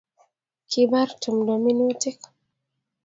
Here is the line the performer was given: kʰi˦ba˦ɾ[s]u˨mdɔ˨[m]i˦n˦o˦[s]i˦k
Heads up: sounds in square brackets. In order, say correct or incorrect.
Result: incorrect: t, correct, incorrect: t

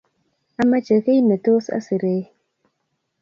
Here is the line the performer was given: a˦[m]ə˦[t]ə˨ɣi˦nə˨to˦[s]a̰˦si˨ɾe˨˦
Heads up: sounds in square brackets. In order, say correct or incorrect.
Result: correct, incorrect: t͡ʃ, correct

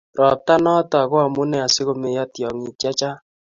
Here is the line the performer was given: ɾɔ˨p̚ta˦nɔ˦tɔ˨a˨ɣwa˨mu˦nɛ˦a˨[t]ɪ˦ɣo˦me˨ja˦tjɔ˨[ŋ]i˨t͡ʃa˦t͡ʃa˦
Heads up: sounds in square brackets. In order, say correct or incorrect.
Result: incorrect: s, correct

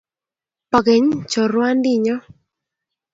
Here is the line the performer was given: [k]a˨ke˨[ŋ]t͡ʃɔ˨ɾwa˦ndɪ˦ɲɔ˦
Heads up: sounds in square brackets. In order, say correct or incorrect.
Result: incorrect: p, incorrect: ɲ

